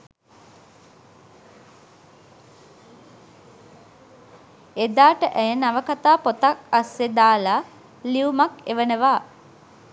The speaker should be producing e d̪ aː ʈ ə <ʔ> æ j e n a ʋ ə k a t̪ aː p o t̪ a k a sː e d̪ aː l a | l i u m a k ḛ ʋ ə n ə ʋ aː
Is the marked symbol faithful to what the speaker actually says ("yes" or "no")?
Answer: yes